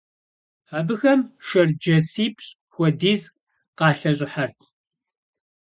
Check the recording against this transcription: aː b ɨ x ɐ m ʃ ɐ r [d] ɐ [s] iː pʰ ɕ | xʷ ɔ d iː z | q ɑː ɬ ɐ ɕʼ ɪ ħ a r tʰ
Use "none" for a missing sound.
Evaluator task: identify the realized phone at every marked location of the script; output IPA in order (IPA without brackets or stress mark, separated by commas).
d͡ʒ, s